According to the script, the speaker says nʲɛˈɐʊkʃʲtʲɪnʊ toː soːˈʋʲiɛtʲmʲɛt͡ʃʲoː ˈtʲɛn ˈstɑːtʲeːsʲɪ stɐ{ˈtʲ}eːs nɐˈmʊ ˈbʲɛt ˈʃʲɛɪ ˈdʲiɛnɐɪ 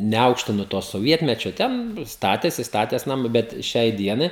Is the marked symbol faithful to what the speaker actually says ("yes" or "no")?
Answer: yes